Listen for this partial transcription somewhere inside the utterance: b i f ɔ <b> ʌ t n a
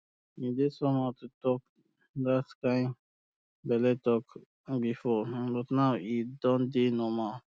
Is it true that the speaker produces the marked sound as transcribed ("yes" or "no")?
yes